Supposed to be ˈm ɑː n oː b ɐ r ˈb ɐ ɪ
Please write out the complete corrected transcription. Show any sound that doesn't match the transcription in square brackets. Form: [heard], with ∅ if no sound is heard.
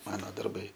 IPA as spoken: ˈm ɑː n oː [d] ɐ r ˈb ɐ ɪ